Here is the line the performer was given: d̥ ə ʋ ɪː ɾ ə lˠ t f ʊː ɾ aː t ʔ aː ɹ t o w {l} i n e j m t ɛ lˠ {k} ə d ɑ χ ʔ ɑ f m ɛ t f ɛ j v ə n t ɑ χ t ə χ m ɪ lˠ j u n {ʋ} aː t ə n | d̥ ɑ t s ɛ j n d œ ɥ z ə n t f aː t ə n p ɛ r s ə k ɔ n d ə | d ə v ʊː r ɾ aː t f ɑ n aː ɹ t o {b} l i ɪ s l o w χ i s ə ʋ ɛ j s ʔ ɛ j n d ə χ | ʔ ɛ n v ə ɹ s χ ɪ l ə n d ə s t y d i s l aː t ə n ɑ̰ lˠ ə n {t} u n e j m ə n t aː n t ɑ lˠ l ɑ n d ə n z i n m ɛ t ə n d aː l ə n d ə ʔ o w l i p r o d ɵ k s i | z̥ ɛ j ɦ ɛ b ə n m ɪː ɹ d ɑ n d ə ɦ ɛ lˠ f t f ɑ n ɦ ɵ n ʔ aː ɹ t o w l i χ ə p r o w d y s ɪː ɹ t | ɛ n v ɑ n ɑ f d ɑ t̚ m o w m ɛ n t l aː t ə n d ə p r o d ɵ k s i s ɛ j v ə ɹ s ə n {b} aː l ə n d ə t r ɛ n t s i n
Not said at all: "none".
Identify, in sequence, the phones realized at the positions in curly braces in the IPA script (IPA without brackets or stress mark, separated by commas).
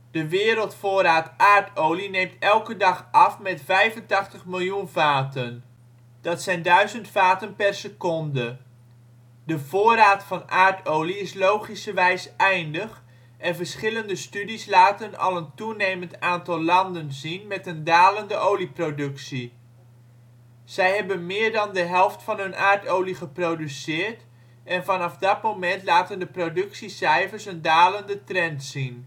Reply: l, k, v, w, t, d